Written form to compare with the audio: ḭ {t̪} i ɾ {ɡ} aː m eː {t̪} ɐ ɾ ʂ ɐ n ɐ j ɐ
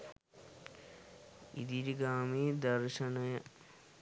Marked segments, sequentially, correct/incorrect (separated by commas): incorrect, correct, incorrect